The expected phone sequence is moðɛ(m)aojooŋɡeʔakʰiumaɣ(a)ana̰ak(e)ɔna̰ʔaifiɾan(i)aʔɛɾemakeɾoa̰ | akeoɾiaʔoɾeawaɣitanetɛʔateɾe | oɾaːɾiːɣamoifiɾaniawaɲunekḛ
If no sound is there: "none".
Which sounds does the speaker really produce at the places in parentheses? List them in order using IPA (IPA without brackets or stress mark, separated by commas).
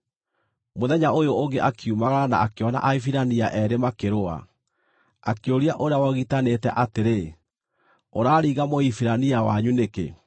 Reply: ɲ, a, e, i